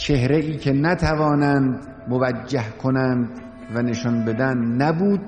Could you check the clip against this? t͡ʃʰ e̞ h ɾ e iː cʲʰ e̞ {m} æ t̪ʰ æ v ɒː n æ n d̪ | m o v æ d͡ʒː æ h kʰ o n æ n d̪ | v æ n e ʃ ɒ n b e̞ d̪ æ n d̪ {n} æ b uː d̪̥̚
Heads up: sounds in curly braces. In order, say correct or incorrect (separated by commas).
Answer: incorrect, correct